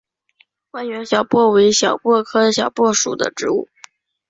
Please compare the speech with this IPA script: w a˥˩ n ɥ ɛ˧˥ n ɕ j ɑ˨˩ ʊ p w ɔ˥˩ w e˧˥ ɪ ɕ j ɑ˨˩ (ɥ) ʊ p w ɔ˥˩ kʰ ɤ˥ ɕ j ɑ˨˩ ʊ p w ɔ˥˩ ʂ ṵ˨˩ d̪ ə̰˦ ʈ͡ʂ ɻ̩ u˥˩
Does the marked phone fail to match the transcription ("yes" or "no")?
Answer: yes